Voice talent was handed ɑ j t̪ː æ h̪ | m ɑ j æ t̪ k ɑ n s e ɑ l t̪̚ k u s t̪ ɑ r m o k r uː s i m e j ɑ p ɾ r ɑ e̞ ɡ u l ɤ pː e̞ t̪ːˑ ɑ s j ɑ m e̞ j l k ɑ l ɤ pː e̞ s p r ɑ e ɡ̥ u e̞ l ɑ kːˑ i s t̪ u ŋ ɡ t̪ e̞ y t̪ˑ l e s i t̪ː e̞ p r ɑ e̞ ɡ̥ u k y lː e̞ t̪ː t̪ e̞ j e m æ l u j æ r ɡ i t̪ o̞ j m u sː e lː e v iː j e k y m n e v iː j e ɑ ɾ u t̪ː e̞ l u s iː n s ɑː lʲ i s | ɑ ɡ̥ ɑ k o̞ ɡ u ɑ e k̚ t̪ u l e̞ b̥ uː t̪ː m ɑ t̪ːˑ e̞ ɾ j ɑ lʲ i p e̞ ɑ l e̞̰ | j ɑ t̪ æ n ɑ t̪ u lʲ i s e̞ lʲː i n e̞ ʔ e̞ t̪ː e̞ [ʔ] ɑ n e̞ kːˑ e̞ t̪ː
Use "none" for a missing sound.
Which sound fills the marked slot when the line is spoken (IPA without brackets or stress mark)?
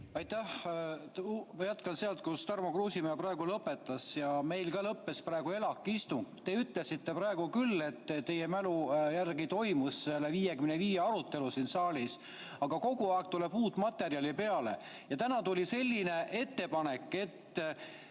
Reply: p